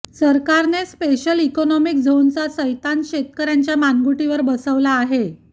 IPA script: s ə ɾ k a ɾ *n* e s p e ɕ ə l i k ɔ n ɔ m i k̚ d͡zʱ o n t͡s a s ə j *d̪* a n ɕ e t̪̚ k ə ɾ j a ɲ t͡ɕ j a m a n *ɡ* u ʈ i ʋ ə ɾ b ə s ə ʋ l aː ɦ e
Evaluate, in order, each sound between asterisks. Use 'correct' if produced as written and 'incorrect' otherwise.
correct, incorrect: t̪, correct

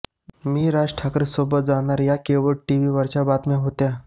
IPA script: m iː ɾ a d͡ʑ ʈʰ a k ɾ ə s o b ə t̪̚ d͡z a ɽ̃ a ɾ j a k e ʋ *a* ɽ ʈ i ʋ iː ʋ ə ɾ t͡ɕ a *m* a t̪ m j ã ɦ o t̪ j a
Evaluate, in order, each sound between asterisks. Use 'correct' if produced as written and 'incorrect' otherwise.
incorrect: ə, incorrect: b

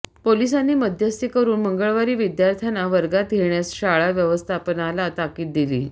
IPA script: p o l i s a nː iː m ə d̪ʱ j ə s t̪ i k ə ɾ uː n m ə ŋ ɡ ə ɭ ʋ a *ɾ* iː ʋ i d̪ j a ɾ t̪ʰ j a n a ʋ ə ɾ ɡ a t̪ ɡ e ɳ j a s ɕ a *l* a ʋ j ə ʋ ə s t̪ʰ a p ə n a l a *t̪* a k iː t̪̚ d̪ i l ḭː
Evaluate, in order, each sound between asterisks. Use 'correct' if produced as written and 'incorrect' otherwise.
correct, incorrect: ɭ, correct

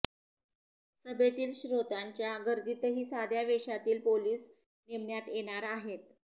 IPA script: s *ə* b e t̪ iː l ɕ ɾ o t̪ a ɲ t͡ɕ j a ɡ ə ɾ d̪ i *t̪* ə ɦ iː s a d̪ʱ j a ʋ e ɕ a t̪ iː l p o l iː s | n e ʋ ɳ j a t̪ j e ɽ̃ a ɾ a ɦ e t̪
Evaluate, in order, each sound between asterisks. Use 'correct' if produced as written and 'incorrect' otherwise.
correct, correct

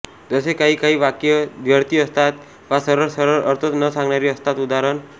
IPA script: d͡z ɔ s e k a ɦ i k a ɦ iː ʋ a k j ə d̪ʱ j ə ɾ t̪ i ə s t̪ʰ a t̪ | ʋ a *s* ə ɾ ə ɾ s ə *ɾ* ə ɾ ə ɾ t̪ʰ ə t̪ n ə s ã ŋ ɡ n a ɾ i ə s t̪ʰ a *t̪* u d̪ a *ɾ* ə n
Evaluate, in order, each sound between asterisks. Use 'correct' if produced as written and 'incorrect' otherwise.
correct, correct, correct, correct

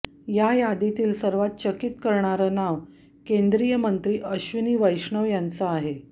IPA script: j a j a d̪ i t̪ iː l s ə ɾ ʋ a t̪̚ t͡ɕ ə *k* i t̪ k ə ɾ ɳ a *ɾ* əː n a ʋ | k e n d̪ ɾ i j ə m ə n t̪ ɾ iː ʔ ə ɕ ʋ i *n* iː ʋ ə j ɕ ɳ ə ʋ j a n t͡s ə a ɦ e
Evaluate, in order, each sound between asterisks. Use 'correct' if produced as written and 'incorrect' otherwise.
correct, correct, correct

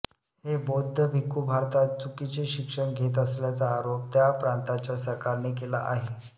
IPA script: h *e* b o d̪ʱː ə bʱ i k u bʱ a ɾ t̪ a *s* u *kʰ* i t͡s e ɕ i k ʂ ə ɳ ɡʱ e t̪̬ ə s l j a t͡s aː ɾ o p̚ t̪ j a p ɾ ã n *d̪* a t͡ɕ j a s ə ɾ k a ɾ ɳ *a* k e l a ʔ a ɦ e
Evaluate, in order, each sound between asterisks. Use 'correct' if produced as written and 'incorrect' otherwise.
correct, incorrect: t͡s, incorrect: k, incorrect: t̪, incorrect: e

